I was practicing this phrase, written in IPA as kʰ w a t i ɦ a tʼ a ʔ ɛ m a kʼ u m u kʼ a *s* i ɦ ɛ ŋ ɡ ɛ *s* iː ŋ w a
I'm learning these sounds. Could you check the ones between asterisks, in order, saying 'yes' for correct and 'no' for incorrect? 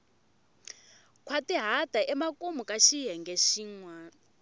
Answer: no, no

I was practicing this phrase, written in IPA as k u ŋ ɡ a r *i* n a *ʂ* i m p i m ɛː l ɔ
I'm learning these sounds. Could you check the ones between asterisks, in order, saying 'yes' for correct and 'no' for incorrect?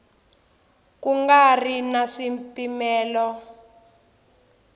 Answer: yes, yes

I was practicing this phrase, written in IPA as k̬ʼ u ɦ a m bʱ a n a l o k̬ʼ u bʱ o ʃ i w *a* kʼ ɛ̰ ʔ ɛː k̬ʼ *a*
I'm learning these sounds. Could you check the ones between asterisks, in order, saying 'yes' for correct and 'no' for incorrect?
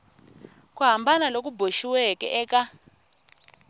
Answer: no, yes

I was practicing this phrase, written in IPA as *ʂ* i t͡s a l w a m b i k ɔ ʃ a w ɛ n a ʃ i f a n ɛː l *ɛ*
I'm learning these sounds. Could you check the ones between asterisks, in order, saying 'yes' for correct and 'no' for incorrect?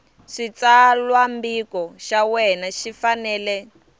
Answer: yes, yes

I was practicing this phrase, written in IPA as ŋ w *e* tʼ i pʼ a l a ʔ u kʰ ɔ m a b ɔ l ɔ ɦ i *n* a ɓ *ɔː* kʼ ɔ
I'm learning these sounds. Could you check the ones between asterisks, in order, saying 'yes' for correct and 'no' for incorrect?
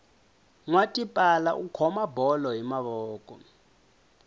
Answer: no, no, yes

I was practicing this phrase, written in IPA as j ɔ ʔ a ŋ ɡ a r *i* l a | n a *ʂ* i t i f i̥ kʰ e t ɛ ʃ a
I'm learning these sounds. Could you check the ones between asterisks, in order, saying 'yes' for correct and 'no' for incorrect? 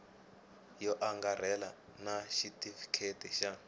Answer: no, no

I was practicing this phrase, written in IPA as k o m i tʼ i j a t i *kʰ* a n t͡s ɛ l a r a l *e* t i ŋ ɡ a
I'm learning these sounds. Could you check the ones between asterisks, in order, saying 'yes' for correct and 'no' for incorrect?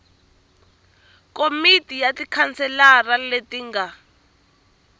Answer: yes, yes

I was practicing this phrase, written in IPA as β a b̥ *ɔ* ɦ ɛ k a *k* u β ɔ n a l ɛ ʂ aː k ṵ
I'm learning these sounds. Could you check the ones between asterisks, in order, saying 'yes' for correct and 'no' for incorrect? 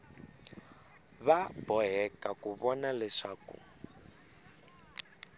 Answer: yes, yes

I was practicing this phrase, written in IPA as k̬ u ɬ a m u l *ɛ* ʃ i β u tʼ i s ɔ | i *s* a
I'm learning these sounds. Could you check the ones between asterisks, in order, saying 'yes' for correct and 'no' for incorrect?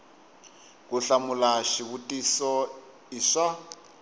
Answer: no, no

